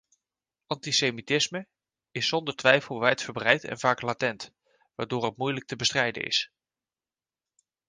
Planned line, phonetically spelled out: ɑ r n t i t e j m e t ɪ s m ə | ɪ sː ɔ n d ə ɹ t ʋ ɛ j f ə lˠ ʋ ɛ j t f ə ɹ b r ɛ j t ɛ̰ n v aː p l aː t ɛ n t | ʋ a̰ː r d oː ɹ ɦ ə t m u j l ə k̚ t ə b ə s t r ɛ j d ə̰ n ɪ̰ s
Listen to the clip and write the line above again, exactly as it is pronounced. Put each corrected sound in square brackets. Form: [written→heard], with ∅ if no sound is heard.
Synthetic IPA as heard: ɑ [r→∅] n t i [t→s] e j m [e→i] t ɪ s m ə | ɪ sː ɔ n d ə ɹ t ʋ ɛ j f ə lˠ ʋ ɛ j t f ə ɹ b r ɛ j t ɛ̰ n v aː [p→k] l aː t ɛ n t | ʋ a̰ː [r→ɹ] d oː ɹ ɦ ə t m u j l ə k̚ t ə b ə s t r ɛ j d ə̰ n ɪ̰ s